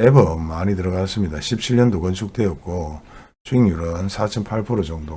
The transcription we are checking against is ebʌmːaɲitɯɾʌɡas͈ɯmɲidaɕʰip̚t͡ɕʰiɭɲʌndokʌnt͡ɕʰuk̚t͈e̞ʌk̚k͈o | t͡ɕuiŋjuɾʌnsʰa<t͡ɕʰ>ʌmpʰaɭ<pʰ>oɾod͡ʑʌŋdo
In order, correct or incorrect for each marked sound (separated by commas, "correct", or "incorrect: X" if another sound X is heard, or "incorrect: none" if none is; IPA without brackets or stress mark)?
correct, correct